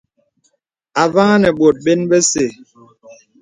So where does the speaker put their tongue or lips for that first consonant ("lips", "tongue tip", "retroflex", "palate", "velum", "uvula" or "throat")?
lips